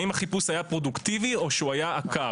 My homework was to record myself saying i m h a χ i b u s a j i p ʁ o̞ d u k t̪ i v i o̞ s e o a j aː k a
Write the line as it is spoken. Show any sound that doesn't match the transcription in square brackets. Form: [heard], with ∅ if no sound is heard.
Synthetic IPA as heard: i m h a χ i [p] u s a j [a] p ʁ o̞ d u k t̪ i v i o̞ [ʃ] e [u] a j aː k a